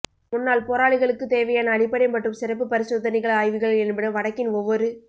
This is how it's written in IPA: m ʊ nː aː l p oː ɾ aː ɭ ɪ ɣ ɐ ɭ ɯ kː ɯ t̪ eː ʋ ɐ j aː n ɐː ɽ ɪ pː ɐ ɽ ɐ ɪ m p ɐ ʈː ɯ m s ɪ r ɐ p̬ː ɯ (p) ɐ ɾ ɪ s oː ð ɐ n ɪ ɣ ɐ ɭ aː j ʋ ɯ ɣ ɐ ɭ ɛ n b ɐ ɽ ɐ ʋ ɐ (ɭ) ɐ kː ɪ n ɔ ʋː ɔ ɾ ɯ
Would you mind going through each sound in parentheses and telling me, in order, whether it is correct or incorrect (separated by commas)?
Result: correct, incorrect